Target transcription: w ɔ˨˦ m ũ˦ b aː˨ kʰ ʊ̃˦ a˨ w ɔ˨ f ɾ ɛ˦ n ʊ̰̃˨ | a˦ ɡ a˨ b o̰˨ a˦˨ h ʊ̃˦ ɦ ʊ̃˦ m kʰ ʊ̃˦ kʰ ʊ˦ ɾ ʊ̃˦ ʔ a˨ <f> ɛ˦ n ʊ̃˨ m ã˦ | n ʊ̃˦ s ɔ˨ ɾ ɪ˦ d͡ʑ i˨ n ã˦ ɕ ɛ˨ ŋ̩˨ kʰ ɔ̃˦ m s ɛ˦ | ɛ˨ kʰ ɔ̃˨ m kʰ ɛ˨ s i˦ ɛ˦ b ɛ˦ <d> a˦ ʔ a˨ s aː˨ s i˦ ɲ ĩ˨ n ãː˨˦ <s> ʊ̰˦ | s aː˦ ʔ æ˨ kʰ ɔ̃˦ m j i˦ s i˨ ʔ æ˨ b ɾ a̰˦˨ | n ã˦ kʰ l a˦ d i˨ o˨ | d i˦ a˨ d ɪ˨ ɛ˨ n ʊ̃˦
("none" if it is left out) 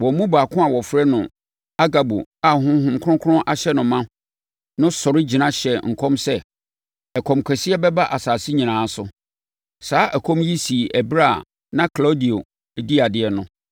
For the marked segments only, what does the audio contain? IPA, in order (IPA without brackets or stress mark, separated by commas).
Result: ɕ, b, s